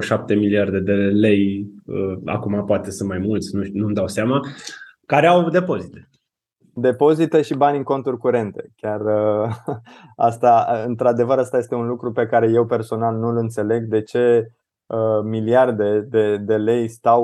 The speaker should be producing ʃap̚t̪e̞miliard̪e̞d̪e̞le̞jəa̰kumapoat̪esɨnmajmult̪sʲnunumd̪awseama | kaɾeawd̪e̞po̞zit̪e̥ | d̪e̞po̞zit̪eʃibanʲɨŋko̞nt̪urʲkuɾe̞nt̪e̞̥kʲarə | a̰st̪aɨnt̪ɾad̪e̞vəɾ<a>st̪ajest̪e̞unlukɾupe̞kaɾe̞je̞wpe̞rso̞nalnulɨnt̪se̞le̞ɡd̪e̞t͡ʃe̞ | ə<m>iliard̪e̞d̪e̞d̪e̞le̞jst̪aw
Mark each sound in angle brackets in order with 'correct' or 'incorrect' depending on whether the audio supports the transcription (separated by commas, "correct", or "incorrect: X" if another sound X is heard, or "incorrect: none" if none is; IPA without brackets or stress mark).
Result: correct, correct